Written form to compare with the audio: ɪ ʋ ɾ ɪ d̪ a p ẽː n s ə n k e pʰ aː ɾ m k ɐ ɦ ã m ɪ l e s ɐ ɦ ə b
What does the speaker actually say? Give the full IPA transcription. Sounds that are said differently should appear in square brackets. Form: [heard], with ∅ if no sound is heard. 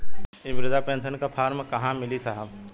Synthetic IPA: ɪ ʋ ɾ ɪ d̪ a p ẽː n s ə n k [a] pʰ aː ɾ m k ɐ ɦ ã m ɪ l [i] s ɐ ɦ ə b

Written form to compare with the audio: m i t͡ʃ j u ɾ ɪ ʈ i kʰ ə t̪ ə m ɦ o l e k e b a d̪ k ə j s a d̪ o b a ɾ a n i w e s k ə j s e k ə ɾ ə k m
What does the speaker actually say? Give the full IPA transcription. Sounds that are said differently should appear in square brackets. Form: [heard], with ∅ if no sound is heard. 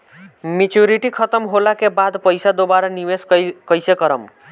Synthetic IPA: m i t͡ʃ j u ɾ [i] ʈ i kʰ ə t̪ ə m ɦ o l [a] k e b a d̪ [p] ə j s a d̪ o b a ɾ a n i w e s k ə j s e k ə ɾ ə [∅] m

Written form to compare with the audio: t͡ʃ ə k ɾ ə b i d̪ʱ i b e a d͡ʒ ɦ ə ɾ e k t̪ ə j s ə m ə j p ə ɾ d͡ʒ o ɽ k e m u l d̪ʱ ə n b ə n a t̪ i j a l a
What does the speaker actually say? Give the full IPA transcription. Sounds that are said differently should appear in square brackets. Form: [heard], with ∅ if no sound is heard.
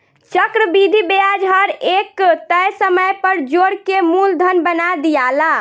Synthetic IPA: t͡ʃ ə k ɾ ə b i d̪ʱ i b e a d͡ʒ ɦ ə ɾ e k t̪ ə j s ə m ə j p ə ɾ d͡ʒ o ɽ k e m u l d̪ʱ ə n b ə n a [d̪] i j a l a

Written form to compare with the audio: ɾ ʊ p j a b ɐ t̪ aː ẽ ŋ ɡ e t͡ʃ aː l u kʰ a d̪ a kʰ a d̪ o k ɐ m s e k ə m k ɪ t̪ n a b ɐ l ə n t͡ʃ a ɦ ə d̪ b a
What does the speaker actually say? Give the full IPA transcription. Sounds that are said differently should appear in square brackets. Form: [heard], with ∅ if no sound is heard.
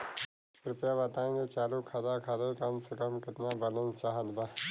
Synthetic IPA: ɾ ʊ p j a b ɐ t̪ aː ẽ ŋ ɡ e t͡ʃ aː l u kʰ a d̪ a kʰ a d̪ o k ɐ m s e k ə m k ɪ t̪ n a b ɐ l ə n t͡ʃ a ɦ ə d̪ b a

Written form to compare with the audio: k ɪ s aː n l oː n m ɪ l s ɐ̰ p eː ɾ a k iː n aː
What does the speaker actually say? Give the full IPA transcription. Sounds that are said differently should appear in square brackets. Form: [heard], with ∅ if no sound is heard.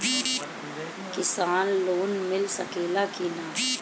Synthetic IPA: k ɪ s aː n l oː n m ɪ l s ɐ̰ [k] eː [l] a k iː n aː

